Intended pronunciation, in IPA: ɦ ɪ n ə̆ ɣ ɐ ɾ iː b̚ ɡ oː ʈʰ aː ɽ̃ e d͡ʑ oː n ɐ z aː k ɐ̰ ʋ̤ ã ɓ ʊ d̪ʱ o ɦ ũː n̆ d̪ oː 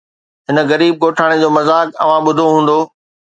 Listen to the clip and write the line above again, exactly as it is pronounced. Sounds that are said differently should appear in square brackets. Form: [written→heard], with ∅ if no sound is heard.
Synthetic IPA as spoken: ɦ ɪ n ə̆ ɣ ɐ ɾ iː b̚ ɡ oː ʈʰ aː ɽ̃ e d͡ʑ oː [n→m] ɐ z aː k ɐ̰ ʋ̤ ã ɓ ʊ d̪ʱ o ɦ ũː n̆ d̪ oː